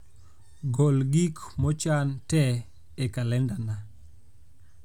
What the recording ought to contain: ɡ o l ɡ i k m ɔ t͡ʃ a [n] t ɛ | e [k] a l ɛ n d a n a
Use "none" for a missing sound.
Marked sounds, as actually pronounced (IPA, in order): n, k

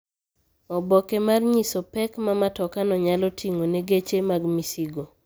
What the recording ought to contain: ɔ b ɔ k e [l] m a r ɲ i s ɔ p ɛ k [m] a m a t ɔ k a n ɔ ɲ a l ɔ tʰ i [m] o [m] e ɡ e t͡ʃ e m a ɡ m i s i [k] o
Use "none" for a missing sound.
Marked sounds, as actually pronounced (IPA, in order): none, m, ŋ, n, ɡ

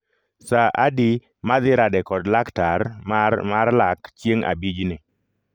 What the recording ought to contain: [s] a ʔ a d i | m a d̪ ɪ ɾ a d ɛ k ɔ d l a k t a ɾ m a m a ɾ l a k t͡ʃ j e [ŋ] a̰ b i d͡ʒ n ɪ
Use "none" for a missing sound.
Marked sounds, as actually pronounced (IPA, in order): s, ŋ

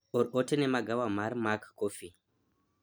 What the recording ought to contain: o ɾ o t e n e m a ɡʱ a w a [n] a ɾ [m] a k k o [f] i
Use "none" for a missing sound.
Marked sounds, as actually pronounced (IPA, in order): m, m, f

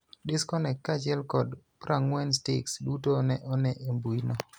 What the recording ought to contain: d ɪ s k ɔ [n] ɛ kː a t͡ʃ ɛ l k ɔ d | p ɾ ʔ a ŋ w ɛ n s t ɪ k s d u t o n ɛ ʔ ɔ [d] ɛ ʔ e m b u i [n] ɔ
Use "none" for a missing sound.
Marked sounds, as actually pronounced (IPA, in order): n, n, n

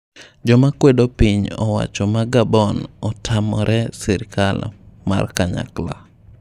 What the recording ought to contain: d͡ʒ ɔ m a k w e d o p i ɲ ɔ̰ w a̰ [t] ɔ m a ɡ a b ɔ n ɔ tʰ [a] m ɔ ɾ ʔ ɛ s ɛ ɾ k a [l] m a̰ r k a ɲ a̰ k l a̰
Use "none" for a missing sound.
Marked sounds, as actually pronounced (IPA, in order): t͡ʃ, a, l

